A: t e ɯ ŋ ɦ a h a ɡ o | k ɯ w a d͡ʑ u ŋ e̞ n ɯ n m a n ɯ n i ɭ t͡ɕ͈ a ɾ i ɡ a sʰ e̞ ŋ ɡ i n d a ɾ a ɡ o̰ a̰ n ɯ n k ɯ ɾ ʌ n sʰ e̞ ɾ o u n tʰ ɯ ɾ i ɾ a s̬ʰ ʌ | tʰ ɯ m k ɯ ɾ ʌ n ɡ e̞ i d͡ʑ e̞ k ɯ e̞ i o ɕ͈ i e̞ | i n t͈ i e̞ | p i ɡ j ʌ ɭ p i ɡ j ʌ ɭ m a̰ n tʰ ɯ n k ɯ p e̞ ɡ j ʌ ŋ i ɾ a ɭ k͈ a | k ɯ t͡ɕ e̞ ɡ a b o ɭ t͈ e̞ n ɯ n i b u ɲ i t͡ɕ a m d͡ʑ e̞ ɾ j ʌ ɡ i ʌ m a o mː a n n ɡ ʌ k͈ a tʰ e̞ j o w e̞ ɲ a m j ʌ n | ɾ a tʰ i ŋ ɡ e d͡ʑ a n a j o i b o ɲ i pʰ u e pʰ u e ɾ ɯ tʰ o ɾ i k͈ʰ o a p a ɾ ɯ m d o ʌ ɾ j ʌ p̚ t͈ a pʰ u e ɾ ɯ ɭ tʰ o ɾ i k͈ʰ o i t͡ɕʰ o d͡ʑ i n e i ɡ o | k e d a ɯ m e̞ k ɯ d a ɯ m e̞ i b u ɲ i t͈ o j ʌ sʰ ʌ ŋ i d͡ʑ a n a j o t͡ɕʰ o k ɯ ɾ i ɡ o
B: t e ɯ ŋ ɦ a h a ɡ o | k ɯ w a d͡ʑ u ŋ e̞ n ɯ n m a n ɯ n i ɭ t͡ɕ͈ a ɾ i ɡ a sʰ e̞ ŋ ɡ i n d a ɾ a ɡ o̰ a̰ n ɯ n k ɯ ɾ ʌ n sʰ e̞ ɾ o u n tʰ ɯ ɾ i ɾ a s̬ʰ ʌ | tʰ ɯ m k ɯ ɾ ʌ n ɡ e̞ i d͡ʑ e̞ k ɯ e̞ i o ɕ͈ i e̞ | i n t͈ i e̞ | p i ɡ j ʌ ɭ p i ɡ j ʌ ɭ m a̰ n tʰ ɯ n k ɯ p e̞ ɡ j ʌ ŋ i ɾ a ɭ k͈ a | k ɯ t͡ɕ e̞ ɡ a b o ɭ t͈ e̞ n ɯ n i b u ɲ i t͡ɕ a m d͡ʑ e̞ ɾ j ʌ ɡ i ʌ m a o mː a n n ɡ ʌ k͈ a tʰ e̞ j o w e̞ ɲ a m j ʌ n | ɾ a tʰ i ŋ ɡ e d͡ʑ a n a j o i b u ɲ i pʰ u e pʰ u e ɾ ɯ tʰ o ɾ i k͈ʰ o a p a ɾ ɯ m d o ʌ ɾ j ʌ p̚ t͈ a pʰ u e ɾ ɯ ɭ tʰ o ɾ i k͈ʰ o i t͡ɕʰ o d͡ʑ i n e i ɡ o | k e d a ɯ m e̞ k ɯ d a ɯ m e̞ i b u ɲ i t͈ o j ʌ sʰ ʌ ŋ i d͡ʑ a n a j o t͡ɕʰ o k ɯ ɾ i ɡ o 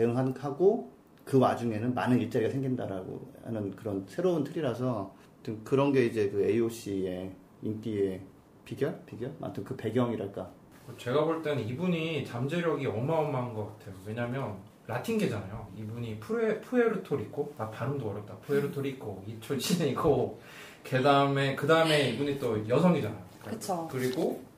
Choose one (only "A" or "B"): B